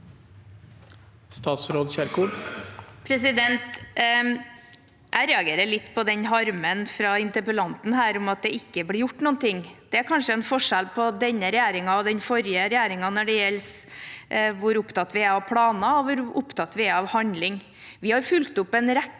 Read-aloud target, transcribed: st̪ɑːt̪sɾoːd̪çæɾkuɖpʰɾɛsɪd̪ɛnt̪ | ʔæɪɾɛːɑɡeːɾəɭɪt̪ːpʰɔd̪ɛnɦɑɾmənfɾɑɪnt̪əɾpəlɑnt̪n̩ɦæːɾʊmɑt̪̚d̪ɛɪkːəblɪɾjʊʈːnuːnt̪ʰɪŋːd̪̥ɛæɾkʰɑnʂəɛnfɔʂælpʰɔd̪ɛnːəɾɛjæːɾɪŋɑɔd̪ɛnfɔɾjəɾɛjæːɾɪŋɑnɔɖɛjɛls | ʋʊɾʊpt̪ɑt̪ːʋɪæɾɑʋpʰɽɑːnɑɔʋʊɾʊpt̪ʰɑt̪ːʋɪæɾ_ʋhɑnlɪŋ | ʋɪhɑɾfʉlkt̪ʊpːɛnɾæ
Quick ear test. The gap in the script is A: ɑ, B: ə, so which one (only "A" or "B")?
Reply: A